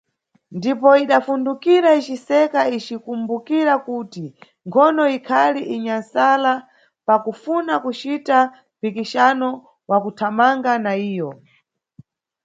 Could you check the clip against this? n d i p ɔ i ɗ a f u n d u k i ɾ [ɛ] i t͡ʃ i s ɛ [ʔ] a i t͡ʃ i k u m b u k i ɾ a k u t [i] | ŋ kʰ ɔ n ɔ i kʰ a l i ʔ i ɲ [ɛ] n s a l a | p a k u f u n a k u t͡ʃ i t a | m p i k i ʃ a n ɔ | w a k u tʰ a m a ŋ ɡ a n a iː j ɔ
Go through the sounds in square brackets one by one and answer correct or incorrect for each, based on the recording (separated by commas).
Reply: incorrect, incorrect, correct, incorrect